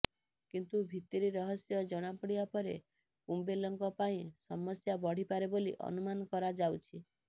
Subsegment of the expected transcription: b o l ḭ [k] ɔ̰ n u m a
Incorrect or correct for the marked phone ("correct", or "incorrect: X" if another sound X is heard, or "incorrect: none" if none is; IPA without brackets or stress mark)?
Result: incorrect: ʔ